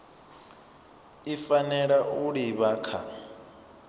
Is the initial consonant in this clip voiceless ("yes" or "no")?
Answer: yes